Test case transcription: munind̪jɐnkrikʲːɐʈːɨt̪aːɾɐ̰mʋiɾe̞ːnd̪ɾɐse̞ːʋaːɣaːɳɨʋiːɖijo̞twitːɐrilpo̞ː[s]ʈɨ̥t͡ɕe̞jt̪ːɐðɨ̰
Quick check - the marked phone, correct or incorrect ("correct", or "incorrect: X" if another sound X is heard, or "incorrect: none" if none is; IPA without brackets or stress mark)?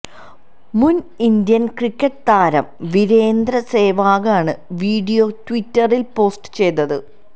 correct